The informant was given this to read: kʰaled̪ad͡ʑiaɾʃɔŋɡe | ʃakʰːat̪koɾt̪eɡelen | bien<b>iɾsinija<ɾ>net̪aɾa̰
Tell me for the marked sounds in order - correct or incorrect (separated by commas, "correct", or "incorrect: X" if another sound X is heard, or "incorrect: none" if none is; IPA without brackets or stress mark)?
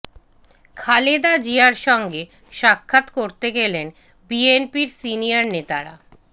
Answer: incorrect: p, correct